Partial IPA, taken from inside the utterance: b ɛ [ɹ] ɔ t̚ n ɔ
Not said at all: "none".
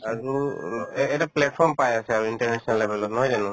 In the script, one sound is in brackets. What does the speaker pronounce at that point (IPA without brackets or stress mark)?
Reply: l